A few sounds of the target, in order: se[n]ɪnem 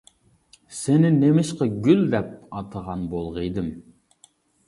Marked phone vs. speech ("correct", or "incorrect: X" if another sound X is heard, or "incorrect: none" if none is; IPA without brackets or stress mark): correct